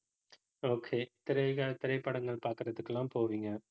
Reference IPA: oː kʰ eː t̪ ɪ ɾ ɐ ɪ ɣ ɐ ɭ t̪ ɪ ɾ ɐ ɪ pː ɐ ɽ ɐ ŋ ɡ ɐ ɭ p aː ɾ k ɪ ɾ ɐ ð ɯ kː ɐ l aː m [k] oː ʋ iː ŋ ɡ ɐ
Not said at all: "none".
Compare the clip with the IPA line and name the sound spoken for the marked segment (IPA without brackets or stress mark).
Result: p